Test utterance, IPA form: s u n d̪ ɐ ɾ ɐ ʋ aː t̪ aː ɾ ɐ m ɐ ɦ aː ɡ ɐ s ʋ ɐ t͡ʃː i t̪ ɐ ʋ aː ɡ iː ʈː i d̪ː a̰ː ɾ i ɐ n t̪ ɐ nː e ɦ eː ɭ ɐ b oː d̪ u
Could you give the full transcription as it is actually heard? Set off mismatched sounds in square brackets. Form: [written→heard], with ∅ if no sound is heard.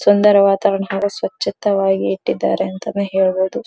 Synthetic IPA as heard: s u n d̪ ɐ ɾ ɐ ʋ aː t̪ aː ɾ ɐ [m→ɳ] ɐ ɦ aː ɡ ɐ s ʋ ɐ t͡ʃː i t̪ ɐ ʋ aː ɡ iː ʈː i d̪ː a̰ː ɾ [i→e] ɐ n t̪ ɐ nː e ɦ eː ɭ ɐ b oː d̪ u